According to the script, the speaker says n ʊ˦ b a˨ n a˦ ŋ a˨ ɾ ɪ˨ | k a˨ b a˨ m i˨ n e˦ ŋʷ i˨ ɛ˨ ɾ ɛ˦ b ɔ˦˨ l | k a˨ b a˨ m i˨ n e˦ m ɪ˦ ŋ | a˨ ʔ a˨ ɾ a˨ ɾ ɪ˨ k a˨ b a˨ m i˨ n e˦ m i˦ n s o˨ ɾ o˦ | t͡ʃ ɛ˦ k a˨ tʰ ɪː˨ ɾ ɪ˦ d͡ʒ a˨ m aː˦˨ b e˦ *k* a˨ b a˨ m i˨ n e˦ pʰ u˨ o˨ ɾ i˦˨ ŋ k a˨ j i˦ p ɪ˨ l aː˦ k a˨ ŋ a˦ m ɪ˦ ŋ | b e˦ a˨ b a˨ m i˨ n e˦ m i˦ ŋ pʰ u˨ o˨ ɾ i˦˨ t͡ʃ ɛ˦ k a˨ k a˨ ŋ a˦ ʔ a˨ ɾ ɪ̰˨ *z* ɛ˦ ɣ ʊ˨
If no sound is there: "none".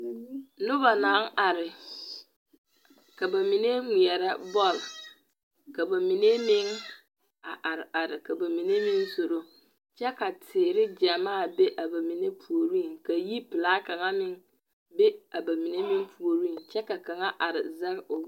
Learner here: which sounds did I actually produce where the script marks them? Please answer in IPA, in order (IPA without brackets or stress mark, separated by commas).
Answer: ʔ, z